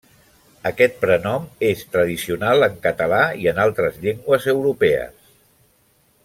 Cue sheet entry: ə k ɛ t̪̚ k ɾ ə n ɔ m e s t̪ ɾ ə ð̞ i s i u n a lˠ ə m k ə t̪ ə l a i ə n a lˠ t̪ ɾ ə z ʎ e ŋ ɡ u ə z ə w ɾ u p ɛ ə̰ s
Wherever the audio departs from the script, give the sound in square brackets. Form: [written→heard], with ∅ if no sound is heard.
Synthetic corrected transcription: ə k ɛ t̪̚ [k→p] ɾ ə n ɔ m e s t̪ ɾ ə ð̞ i s i u n a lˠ ə [m→ŋ] k ə t̪ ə l a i ə n a lˠ t̪ ɾ ə z ʎ e ŋ ɡ [u→w] ə z ə w ɾ u p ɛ ə̰ s

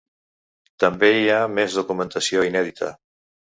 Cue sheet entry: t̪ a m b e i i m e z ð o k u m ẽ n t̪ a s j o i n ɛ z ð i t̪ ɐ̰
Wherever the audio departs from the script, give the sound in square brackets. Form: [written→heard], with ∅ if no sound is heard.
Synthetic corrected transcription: t̪ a m b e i [i→a] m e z ð o k u m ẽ n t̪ a s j o i n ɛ [z→∅] ð i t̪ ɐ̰

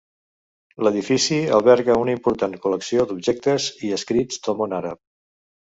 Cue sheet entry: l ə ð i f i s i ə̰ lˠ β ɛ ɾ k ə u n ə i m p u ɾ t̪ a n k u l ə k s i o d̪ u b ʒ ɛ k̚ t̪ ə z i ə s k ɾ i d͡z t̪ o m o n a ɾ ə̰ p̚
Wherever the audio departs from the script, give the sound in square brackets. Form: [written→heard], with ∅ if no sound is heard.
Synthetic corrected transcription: l ə ð i f i s i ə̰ lˠ β ɛ ɾ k ə u n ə i m p u ɾ t̪ a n k u l ə k s i o d̪ u b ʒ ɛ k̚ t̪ ə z i ə s k ɾ i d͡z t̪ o m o n a ɾ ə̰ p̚

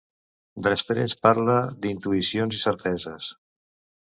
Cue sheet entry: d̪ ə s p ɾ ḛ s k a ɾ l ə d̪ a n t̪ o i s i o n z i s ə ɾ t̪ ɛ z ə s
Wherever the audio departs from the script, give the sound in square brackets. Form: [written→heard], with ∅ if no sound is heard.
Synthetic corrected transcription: d̪ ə s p ɾ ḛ s [k→p] a ɾ l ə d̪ [a→i] n t̪ [o→u] i s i o n z i s ə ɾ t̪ ɛ z ə s

